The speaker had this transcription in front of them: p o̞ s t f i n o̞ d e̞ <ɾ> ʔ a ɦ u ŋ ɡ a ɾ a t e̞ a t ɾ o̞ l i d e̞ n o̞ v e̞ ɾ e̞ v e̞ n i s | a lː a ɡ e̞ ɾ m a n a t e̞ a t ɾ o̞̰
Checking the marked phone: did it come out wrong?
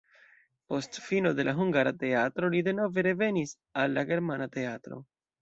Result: yes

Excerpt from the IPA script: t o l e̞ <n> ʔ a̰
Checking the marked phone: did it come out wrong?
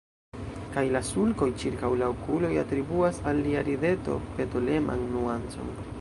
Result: yes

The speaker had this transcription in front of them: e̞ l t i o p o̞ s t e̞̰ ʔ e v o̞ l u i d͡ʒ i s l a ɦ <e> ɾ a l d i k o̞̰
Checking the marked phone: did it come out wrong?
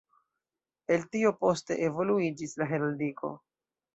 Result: no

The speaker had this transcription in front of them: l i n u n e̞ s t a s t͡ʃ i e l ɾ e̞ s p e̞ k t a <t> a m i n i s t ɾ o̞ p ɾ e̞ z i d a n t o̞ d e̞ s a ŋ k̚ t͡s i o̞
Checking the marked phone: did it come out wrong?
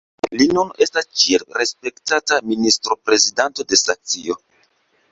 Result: no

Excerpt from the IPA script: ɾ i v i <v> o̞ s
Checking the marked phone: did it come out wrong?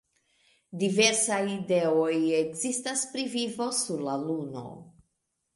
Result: no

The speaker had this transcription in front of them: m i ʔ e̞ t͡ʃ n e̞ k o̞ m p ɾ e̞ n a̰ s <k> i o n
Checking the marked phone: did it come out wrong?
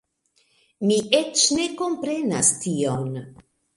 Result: yes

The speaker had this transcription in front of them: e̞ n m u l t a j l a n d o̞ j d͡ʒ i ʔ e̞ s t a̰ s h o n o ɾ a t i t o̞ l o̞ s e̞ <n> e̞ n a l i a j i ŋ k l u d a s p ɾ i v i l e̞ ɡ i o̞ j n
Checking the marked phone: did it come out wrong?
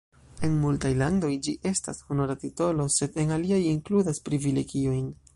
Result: yes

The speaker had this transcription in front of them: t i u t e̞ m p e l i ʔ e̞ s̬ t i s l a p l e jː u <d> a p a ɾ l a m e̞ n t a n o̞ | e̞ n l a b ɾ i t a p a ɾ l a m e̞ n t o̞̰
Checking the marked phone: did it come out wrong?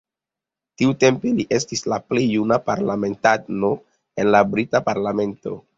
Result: yes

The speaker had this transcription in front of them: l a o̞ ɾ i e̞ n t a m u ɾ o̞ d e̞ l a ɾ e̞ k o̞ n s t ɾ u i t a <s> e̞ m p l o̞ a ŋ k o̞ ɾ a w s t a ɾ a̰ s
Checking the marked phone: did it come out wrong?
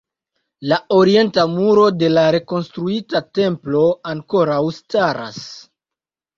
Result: yes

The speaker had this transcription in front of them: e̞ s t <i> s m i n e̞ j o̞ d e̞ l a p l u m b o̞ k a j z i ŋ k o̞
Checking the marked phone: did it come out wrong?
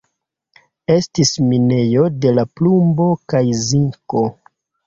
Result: no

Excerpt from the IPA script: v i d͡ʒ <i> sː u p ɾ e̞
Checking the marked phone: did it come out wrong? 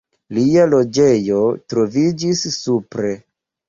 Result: no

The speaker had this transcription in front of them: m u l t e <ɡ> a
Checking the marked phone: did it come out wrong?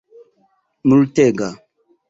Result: no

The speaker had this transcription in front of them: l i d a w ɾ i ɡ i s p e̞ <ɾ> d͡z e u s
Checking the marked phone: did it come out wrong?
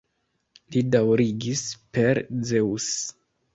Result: no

